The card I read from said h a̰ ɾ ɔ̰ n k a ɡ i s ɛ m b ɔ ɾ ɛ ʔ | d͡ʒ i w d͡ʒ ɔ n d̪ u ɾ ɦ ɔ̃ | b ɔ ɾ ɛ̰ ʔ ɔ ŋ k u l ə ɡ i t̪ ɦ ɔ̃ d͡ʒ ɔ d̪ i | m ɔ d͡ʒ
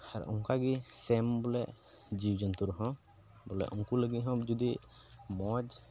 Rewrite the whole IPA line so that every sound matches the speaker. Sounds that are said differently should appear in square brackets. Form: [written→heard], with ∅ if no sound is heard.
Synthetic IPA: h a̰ ɾ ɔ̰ [n→ŋ] k a ɡ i s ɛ m b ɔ [ɾ→l] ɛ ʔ | d͡ʒ i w d͡ʒ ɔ n [d̪→t̪] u ɾ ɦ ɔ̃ | b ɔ [ɾ→l] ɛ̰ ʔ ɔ ŋ k u l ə ɡ i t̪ ɦ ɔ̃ d͡ʒ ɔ d̪ i | m ɔ d͡ʒ